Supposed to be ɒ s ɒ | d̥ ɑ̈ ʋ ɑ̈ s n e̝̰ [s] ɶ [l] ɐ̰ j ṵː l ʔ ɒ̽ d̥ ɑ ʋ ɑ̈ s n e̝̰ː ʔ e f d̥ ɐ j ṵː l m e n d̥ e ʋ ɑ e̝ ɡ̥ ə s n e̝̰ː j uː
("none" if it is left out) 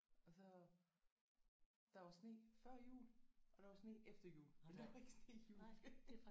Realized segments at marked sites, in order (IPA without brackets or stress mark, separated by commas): f, none